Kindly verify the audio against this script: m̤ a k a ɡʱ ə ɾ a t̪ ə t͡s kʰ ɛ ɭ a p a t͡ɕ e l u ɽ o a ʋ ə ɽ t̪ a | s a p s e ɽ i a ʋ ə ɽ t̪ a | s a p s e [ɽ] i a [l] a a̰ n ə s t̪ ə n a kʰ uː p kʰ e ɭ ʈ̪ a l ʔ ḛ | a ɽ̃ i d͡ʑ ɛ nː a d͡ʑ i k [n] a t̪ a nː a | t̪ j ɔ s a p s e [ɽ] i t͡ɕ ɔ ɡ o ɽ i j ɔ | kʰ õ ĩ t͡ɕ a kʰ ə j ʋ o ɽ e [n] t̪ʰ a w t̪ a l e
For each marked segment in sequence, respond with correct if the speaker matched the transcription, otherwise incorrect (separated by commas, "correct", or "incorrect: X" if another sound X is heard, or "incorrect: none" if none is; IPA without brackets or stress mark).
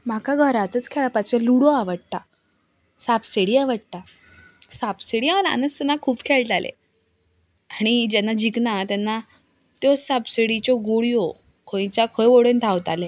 correct, correct, correct, correct, correct